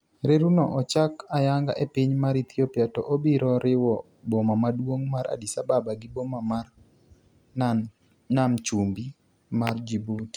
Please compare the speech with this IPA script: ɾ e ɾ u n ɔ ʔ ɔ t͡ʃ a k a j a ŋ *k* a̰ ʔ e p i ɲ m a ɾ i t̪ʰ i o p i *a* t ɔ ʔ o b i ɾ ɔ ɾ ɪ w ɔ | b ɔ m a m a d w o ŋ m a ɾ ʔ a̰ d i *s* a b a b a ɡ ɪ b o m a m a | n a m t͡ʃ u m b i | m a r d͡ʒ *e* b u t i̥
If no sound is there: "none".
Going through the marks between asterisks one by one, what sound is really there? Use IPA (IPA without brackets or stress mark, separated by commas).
ɡ, a, s, i